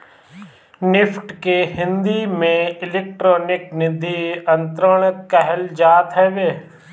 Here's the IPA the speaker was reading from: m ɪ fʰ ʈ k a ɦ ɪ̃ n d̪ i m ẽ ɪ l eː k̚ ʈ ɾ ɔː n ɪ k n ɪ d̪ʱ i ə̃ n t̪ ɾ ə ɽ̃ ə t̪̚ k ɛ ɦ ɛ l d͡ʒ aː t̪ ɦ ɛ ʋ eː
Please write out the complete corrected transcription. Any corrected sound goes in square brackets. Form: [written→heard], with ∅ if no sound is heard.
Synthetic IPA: [m→n] ɪ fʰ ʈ k [a→e] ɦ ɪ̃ n d̪ i m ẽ ɪ l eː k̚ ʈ ɾ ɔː n ɪ k n ɪ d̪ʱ i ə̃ n t̪ ɾ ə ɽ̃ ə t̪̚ k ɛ ɦ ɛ l d͡ʒ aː t̪ ɦ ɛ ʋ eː